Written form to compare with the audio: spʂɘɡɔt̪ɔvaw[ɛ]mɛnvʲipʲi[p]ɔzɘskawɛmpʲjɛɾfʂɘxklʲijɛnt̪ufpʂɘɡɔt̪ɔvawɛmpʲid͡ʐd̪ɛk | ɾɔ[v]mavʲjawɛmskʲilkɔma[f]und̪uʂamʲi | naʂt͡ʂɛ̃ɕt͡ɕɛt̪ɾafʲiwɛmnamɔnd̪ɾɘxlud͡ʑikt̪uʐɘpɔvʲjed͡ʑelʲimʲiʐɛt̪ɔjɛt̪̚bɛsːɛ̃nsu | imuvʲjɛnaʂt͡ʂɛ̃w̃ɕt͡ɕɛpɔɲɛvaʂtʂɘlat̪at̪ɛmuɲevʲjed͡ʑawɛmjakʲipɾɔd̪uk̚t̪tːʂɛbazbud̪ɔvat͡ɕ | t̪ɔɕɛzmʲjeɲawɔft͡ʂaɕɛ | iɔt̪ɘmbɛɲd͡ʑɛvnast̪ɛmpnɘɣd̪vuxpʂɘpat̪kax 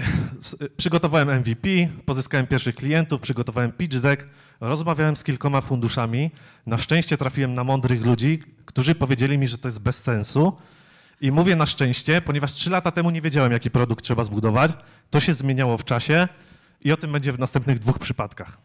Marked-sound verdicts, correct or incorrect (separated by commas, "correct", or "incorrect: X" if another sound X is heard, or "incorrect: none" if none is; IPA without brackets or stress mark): correct, correct, incorrect: z, correct